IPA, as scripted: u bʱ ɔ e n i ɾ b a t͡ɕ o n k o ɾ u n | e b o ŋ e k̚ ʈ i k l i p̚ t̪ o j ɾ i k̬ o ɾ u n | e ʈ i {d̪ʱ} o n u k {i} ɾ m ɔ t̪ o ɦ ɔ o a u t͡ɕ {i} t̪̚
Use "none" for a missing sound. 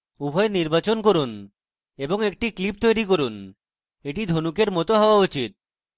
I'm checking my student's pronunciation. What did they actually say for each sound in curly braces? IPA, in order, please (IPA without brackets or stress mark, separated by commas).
d̪ʱ, e, i